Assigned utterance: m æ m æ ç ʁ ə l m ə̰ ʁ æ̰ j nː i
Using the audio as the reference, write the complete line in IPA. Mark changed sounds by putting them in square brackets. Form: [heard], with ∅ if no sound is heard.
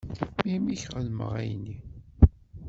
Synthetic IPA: m [i] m [i] ç ʁ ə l m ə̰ ʁ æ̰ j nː i